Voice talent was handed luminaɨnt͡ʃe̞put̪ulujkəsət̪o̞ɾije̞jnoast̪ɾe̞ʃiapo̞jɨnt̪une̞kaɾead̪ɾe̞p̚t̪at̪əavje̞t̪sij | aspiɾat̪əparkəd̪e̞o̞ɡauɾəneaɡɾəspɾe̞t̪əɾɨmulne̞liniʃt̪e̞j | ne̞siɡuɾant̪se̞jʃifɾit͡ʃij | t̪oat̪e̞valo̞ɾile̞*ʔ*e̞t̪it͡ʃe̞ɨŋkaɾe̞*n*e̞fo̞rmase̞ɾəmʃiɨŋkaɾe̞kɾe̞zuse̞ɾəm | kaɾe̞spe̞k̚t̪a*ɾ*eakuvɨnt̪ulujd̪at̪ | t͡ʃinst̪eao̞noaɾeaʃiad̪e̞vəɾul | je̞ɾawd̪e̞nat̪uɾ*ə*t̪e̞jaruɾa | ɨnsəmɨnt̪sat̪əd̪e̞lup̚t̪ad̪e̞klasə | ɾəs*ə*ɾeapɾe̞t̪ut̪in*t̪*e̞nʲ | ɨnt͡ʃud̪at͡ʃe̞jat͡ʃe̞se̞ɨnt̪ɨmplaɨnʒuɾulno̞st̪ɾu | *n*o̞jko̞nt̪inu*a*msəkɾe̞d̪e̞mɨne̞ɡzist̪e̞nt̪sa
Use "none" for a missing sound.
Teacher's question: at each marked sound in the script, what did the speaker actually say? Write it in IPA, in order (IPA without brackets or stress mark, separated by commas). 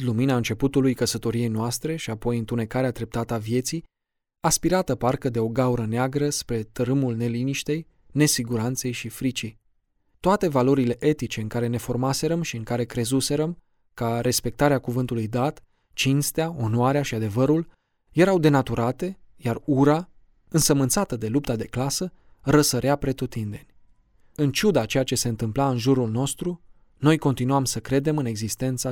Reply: ʔ, n, ɾ, a, ə, d̪, n, a